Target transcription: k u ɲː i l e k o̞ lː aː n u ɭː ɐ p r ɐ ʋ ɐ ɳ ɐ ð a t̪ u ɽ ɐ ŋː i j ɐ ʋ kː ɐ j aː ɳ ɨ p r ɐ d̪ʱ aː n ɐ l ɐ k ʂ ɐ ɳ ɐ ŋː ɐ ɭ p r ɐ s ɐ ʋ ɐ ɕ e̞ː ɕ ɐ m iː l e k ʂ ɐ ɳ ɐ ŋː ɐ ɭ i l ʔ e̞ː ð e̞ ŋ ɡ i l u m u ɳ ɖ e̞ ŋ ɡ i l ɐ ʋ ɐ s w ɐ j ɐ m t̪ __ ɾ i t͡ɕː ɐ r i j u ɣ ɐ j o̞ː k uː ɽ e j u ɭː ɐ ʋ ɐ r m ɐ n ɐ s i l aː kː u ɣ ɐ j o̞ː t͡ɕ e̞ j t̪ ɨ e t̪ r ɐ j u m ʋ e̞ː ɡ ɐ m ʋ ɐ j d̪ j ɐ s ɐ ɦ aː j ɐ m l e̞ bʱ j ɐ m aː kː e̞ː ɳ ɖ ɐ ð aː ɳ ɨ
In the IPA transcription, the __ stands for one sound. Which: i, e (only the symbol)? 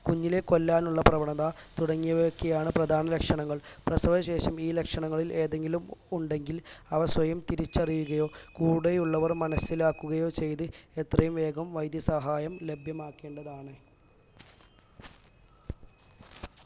i